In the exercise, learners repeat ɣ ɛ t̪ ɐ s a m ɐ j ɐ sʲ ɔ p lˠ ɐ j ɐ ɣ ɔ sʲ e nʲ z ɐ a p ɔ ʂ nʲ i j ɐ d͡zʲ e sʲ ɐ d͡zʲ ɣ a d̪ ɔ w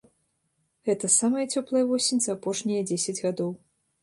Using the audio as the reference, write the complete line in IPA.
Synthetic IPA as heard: ɣ ɛ t̪ ɐ s a m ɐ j ɐ t͡sʲ ɔ p lˠ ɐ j ɐ v ɔ sʲ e nʲ z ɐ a p ɔ ʂ nʲ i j ɐ d͡zʲ e sʲ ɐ d͡zʲ ɣ a d̪ ɔ w

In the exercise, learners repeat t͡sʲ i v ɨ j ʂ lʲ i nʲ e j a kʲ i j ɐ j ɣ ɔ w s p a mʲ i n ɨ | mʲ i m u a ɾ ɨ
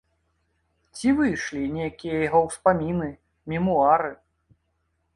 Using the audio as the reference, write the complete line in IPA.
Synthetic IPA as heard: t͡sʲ i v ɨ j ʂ lʲ i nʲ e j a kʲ i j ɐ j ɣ ɔ w s p a mʲ i n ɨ | mʲ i m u a ɾ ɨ

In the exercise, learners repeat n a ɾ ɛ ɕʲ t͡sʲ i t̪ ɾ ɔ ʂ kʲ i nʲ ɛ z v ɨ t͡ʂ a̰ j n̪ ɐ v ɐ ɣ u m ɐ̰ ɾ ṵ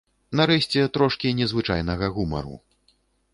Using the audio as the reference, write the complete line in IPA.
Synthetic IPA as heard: n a ɾ ɛ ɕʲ t͡sʲ ɛ t̪ ɾ ɔ ʂ kʲ i nʲ ɛ z v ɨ t͡ʂ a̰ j n̪ ɐ ɣ ɐ ɣ u m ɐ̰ ɾ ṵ

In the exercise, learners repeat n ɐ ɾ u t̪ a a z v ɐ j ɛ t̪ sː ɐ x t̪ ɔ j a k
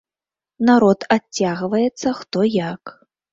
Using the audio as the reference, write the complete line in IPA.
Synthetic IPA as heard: n a ɾ ɔ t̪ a a ɣ v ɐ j ɛ t̪ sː ɐ x t̪ ɔ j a k

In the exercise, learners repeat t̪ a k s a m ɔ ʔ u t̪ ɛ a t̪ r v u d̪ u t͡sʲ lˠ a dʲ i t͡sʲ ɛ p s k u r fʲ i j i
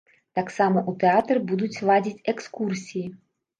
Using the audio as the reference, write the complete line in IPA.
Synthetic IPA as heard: t̪ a k s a m ɔ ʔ u t̪ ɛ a t̪ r b u d̪ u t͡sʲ lˠ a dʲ i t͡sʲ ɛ k s k u r sʲ i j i

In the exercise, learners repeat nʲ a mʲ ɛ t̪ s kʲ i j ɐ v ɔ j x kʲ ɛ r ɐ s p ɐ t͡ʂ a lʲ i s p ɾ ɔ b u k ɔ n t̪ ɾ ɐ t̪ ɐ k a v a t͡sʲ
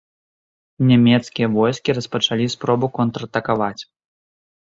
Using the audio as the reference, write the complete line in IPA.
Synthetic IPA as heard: nʲ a mʲ ɛ t̪ s kʲ i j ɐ v ɔ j s kʲ i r ɐ s p ɐ t͡ʂ a lʲ i s p ɾ ɔ b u k ɔ n t̪ ɾ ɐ t̪ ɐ k a v a t͡sʲ

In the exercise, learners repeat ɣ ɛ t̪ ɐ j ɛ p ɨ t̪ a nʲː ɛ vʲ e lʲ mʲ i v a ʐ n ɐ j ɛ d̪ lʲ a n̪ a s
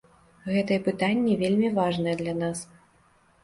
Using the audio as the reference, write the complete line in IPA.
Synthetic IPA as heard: ɣ ɛ t̪ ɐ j ɛ p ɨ t̪ a nʲː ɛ vʲ e lʲ mʲ i v a ʐ n ɐ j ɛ d̪ lʲ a n̪ a s

